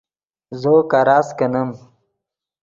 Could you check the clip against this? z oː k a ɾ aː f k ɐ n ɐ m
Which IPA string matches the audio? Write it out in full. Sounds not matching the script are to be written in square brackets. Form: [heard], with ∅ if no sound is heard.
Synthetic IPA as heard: z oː k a ɾ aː [s] k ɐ n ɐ m